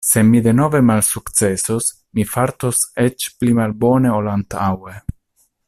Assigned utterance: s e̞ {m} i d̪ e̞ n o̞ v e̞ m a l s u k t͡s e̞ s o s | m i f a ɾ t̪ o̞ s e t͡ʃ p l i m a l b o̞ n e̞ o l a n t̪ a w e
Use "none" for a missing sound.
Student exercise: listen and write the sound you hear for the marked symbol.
m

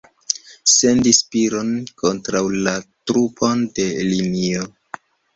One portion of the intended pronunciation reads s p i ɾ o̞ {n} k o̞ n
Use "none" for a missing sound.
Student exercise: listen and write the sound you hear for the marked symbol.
n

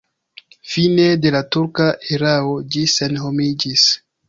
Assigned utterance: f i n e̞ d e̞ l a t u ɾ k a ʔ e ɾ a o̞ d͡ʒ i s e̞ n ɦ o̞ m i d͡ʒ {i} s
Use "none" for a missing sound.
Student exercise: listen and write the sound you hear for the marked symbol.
i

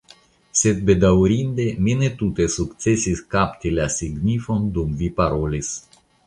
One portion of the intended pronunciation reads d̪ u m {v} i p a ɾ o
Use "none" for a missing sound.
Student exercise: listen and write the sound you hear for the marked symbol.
v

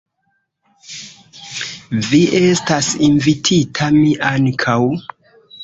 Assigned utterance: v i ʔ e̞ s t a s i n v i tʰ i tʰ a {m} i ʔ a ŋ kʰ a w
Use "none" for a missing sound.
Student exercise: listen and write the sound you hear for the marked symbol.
m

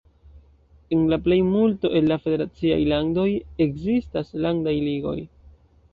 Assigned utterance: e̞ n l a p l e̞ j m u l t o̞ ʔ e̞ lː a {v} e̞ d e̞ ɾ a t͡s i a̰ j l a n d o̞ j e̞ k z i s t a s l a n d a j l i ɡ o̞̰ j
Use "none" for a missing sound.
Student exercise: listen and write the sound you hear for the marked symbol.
f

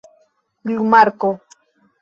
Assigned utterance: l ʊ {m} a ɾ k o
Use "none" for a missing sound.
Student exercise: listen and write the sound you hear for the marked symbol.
m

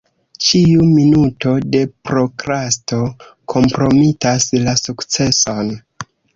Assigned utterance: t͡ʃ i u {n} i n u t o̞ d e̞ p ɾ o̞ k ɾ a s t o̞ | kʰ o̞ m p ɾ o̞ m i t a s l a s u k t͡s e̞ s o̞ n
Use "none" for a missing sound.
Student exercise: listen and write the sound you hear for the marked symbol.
m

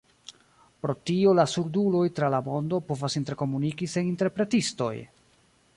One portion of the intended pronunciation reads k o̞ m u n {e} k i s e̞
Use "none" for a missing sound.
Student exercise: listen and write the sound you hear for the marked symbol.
i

